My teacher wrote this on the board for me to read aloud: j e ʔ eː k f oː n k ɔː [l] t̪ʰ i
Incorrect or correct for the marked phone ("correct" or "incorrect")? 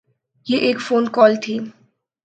correct